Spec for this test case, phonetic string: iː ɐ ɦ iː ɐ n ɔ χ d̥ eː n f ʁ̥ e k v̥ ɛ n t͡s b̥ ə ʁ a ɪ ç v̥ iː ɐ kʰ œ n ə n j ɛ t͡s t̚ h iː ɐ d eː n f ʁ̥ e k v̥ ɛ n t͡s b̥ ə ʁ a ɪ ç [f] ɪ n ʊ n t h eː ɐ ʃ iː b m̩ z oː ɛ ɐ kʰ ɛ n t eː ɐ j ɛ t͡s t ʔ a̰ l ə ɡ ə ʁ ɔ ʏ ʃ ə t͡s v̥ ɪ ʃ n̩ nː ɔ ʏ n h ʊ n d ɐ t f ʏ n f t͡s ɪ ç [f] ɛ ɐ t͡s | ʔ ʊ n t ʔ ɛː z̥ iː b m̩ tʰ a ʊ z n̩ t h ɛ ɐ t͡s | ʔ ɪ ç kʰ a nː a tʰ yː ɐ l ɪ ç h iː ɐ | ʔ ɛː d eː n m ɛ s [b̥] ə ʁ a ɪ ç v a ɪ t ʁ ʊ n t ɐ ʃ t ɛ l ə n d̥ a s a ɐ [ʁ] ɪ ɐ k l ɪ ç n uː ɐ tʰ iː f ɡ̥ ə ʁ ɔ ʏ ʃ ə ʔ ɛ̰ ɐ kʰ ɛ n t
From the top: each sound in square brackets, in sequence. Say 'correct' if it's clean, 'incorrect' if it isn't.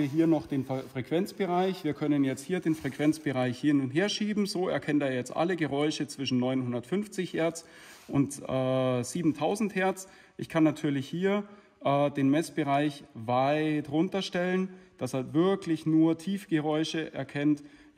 incorrect: h, incorrect: h, correct, incorrect: v

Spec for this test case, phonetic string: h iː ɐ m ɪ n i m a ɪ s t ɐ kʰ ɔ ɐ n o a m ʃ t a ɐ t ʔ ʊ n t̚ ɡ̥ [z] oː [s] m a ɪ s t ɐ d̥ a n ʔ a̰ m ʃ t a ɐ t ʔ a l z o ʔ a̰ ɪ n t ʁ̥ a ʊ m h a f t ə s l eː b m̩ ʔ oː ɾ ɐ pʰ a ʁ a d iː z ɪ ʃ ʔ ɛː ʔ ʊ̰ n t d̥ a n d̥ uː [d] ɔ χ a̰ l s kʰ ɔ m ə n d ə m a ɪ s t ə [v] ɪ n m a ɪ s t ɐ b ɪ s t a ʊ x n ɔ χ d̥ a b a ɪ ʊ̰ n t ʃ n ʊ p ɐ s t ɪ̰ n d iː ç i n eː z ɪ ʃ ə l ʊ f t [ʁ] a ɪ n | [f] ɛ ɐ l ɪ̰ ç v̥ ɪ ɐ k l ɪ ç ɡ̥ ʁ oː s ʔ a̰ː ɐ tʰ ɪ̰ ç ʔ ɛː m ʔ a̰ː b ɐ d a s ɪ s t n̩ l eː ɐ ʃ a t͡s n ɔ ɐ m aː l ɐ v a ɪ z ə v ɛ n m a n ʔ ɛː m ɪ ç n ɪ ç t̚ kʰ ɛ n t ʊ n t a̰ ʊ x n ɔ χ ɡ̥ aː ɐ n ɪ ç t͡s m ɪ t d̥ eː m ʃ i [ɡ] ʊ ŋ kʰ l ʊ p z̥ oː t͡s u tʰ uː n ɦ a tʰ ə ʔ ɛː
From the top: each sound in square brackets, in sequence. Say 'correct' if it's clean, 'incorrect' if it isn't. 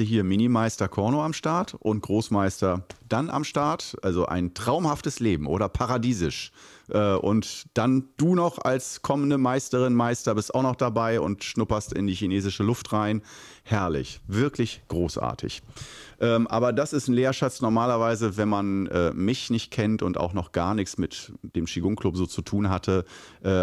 incorrect: ʁ, correct, incorrect: n, incorrect: ʁ, correct, incorrect: h, correct

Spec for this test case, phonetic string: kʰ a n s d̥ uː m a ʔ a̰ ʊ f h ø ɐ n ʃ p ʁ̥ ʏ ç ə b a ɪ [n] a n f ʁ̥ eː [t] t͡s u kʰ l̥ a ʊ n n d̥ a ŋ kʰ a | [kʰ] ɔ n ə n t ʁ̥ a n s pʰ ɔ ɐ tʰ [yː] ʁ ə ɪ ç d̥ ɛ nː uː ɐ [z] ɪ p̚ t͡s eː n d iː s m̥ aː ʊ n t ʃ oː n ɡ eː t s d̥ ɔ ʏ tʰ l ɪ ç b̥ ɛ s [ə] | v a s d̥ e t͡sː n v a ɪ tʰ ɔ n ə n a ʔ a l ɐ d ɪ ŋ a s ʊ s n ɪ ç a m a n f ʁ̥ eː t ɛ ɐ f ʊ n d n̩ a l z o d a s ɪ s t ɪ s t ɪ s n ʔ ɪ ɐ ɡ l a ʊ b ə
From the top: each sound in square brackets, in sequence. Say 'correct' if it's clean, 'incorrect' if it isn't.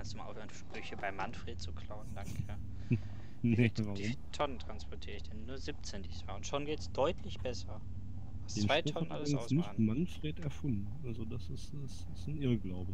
incorrect: m, correct, incorrect: tʰ, incorrect: iː, correct, incorrect: ɐ

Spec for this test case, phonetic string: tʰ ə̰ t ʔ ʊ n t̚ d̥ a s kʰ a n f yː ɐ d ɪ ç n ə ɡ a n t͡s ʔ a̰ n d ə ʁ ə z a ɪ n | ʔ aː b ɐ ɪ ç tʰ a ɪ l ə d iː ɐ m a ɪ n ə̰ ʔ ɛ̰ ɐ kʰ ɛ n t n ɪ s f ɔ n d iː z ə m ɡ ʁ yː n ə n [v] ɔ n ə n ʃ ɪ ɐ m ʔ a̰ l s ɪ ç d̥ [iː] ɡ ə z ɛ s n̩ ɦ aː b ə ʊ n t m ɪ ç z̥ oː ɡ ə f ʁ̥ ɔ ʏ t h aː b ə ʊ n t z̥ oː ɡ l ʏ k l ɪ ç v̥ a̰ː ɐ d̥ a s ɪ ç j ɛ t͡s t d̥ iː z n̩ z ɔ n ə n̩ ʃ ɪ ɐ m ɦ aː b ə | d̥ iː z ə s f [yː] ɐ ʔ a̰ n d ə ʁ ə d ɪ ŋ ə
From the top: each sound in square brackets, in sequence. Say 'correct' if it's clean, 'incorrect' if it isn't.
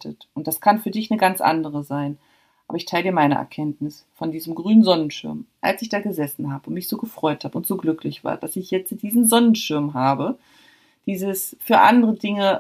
incorrect: z, incorrect: aː, correct

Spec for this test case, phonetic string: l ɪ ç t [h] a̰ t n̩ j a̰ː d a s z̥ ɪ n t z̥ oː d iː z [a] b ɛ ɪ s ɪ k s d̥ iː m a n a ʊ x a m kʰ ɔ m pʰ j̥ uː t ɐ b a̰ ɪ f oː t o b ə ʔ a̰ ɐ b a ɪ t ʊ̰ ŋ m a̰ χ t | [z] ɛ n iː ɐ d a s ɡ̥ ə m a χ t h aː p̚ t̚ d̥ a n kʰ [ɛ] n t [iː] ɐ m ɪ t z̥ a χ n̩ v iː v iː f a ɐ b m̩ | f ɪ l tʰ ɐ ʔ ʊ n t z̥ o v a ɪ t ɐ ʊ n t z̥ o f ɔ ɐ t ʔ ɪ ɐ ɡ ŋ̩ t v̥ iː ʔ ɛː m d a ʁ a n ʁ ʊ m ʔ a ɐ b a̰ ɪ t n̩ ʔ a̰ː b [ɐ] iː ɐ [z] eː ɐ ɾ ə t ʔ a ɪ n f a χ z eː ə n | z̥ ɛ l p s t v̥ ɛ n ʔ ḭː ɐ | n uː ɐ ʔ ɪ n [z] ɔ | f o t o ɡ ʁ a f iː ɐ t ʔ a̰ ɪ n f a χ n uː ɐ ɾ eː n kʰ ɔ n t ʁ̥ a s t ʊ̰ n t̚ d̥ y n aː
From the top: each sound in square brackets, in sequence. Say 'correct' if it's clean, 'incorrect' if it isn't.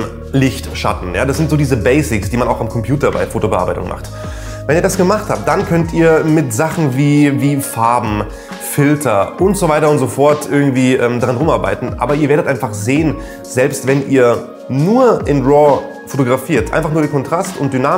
incorrect: ʃ, incorrect: ə, incorrect: v, incorrect: œ, correct, correct, incorrect: v, incorrect: ʁ

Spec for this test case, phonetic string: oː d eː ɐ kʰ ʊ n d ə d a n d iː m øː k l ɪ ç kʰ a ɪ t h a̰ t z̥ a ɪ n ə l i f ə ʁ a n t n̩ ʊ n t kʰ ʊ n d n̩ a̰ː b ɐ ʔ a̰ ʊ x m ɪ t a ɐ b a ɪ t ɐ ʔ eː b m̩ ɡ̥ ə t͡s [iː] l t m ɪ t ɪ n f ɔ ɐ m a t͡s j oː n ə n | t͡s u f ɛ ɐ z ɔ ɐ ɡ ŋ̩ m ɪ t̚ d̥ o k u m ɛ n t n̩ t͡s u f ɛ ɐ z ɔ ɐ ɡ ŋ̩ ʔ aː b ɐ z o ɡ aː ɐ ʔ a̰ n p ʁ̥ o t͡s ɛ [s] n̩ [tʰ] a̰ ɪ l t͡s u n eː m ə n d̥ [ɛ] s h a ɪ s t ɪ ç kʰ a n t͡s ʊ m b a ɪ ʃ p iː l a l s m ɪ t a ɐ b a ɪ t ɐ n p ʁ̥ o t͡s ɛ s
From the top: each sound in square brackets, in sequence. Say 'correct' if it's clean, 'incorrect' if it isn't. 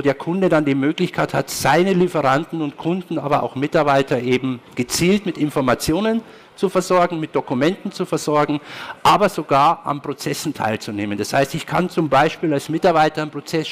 correct, correct, correct, incorrect: a

